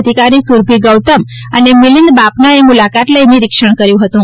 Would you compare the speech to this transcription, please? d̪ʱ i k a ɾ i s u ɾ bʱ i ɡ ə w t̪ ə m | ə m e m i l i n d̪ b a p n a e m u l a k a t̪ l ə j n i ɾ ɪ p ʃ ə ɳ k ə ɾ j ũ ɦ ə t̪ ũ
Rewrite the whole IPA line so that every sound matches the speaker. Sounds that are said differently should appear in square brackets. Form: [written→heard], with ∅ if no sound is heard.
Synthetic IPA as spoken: d̪ʱ i k a ɾ i s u ɾ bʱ i ɡ ə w t̪ ə m | ə [m→n] e m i l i n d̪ b a p n a e m u l a k a t̪ l ə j n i ɾ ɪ [p→k] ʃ ə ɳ k ə ɾ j ũ ɦ ə t̪ ũ